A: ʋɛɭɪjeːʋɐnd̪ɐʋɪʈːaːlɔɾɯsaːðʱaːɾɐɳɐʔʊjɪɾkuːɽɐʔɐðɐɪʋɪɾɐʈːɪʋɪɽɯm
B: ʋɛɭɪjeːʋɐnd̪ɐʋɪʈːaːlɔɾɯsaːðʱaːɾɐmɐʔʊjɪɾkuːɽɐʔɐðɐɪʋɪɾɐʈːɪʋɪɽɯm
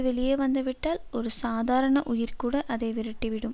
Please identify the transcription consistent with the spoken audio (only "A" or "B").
A